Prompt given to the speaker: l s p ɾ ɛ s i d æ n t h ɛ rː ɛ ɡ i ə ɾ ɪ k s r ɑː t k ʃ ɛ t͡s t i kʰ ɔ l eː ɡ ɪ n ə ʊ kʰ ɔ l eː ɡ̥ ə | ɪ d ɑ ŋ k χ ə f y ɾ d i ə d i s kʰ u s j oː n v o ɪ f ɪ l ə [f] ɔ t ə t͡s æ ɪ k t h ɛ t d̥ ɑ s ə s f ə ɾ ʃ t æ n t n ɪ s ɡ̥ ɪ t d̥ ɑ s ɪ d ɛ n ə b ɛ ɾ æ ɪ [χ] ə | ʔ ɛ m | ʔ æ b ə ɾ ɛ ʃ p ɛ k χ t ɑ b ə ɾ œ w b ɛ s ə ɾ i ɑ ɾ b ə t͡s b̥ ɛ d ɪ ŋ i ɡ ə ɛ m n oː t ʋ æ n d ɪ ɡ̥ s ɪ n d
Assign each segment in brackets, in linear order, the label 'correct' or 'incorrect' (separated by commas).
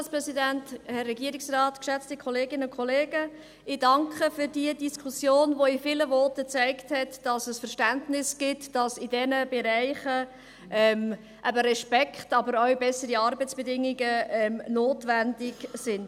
incorrect, correct